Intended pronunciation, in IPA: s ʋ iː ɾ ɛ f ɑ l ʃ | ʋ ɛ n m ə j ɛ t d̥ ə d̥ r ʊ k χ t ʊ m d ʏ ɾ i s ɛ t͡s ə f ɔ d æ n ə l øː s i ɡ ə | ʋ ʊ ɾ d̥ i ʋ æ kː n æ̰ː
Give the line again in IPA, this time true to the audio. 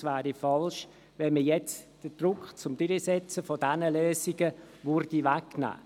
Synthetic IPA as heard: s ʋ æː ɾ i f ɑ l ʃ | ʋ ɛ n m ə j ɛ t͡s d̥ ə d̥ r ʊ k χ t͡s ʊ m d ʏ ɾ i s ɛ t͡s ə f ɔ d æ n ə l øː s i ɡ ə | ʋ ʊ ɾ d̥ i ʋ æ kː n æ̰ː